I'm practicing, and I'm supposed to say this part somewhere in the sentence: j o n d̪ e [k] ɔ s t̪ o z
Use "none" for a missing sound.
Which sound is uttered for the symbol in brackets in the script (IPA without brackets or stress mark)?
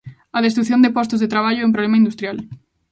p